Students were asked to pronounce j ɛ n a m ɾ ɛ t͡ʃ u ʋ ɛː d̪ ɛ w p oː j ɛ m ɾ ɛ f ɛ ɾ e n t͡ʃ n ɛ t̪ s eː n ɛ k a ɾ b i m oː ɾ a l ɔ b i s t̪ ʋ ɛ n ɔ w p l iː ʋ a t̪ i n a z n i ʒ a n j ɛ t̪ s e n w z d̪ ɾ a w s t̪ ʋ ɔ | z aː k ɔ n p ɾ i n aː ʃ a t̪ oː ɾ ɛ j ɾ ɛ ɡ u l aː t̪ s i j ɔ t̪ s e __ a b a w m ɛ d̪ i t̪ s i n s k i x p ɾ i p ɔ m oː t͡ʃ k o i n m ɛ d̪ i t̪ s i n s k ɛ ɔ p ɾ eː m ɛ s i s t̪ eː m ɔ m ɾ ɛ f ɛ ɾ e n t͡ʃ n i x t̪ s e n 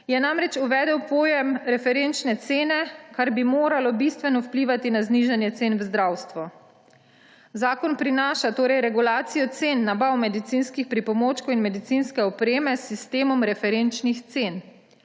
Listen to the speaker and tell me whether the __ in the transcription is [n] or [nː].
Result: nː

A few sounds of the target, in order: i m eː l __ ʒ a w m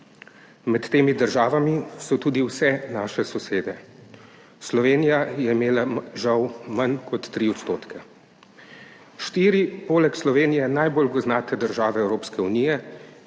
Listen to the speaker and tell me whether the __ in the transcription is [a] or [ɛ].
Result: a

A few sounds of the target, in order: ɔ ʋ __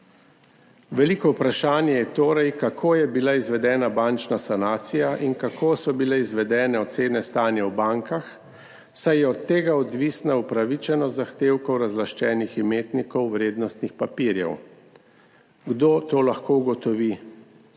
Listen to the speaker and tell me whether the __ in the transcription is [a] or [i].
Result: i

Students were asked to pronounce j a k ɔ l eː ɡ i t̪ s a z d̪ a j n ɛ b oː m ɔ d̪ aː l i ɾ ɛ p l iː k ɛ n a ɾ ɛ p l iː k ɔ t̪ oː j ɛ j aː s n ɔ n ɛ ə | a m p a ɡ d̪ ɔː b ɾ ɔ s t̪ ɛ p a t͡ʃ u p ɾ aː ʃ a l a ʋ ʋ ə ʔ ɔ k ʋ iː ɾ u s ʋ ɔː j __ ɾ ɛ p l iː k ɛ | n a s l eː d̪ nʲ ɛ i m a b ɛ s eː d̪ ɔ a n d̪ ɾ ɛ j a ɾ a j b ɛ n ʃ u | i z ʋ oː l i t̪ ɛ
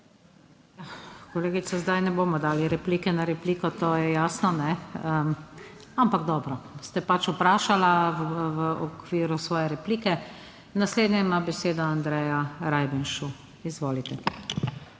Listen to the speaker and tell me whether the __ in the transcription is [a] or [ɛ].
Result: ɛ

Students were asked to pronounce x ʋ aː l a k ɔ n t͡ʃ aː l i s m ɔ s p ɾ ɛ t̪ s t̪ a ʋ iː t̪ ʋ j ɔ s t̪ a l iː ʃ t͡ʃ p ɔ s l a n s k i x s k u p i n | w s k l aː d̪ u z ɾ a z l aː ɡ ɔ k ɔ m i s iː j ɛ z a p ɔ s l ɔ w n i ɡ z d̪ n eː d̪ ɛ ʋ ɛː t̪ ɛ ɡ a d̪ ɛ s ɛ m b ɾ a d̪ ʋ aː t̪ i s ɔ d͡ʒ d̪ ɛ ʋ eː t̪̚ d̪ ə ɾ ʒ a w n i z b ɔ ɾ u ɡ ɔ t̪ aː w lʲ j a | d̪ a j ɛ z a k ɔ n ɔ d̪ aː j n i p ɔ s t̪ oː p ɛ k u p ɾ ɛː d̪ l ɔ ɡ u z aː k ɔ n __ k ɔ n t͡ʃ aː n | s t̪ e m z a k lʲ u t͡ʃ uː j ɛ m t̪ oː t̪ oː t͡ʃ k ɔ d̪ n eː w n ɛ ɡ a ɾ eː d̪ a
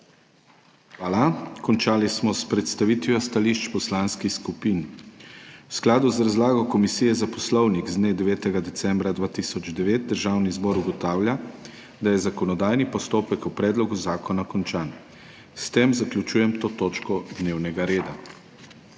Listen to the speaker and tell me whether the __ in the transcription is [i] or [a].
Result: a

